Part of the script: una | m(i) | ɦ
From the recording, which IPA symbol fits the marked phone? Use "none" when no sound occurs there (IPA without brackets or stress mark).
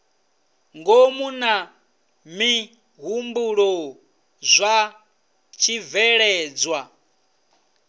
i